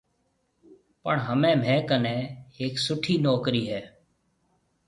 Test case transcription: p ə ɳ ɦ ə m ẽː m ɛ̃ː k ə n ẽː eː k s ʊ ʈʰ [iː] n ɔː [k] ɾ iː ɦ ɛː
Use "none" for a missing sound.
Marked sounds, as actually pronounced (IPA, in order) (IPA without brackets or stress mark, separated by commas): iː, k